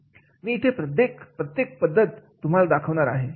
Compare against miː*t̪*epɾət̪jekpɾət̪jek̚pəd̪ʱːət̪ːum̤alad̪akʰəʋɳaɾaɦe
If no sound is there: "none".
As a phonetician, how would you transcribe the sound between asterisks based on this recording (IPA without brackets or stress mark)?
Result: t̪ʰ